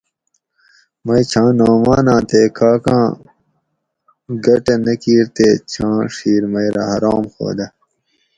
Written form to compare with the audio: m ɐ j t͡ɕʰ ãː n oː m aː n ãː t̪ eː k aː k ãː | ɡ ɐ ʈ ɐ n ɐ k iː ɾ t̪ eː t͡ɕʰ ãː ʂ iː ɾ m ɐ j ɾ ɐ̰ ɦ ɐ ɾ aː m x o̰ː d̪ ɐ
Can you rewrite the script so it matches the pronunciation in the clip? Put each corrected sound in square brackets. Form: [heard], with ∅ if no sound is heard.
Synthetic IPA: m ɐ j t͡ɕʰ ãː n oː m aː n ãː t̪ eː k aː k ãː | ɡ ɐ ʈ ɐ n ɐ k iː ɾ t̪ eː t͡ɕʰ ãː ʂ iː ɾ m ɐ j ɾ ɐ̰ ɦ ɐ ɾ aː m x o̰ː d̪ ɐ